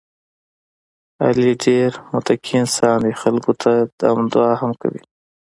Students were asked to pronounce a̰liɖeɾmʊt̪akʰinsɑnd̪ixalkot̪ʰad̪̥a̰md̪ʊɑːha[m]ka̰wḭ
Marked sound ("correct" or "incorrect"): correct